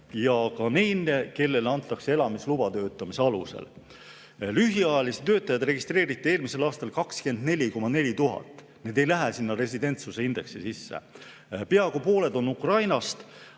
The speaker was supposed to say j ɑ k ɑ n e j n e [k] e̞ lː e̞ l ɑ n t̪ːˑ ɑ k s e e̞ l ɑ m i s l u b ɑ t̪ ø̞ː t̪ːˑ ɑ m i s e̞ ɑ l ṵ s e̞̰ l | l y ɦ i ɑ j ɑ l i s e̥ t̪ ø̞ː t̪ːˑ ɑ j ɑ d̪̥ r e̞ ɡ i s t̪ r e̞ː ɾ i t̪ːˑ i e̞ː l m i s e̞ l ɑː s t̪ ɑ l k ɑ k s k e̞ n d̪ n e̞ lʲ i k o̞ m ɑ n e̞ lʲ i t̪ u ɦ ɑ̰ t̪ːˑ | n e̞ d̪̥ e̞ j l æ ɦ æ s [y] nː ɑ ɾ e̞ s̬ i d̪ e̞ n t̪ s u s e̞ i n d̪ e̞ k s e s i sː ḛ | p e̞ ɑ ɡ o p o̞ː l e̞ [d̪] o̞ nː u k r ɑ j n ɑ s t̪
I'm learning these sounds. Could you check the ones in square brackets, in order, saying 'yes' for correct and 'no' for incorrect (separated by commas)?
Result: yes, no, yes